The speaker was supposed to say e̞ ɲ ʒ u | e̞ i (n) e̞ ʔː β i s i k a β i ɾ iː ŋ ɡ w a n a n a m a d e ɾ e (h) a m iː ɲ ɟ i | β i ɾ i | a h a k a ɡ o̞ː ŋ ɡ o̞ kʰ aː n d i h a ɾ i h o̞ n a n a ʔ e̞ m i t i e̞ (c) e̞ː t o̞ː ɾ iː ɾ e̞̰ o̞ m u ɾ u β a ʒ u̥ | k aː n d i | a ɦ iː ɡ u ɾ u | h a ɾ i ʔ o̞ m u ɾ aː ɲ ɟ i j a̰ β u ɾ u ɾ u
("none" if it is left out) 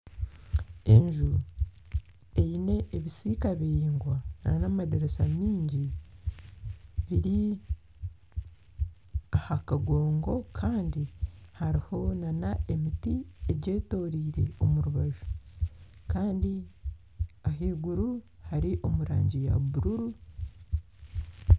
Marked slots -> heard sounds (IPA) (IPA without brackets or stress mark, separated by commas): n, s, ɟ